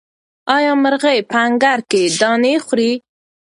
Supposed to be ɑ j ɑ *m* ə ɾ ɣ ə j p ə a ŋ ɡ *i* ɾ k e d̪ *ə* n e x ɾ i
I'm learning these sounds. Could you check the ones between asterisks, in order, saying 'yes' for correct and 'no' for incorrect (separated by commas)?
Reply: yes, no, no